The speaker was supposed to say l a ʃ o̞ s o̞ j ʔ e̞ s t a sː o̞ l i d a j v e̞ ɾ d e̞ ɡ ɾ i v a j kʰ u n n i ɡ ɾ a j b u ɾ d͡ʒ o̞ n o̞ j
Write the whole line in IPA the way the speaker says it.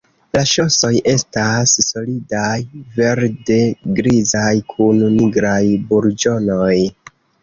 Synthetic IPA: l a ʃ o̞ s o̞ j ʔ e̞ s t a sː o̞ l i d a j v e̞ ɾ d e̞ ɡ ɾ i z a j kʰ u n n i ɡ ɾ a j b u ɾ d͡ʒ o̞ n o̞ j